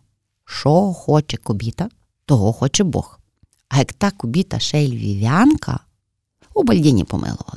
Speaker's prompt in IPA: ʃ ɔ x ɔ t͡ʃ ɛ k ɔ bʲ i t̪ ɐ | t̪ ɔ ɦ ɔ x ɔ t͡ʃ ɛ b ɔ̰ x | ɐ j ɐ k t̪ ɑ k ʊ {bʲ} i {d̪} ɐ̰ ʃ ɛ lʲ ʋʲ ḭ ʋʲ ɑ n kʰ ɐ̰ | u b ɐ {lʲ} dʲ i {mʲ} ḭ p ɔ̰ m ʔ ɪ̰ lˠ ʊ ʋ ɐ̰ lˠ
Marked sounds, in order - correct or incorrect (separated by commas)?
correct, incorrect, correct, incorrect